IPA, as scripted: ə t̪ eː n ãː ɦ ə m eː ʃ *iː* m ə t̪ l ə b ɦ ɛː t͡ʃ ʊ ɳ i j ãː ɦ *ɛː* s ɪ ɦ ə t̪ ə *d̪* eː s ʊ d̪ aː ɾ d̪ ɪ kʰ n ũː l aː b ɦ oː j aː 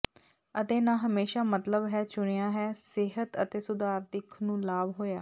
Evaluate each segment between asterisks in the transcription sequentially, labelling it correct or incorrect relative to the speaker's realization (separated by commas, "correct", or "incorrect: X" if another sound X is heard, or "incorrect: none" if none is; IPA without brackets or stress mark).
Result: incorrect: aː, correct, incorrect: t̪